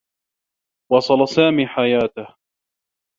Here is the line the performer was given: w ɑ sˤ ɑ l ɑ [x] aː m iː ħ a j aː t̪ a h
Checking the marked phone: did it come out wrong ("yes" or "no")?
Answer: yes